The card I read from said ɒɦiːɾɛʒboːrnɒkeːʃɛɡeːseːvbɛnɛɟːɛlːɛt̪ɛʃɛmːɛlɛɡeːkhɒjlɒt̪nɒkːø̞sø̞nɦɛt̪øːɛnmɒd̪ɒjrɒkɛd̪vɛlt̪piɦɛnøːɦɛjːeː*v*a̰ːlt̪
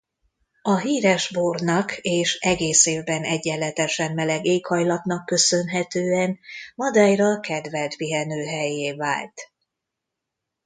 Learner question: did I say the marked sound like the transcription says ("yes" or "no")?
yes